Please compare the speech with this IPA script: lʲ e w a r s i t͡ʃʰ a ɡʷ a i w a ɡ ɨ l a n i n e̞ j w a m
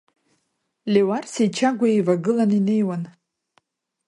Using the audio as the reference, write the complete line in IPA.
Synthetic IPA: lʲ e w a r s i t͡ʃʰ a ɡʷ a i v a ɡ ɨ l a n i n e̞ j w a n

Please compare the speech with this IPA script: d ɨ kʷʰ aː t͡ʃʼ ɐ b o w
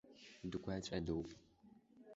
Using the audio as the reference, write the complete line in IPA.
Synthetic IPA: d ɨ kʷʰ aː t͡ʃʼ ɐ d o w

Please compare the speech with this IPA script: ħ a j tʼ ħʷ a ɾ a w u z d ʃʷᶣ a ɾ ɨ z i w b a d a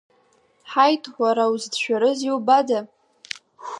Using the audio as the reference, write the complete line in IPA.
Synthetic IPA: ħ a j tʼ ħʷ a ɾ a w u z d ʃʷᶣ a ɾ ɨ z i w b a d a

